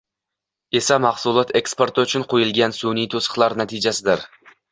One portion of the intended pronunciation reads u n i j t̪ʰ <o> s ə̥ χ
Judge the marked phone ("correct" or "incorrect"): correct